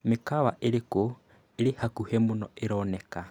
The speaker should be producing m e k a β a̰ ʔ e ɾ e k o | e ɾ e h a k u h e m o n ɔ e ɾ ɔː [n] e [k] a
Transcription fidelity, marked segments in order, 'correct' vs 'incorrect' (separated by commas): correct, correct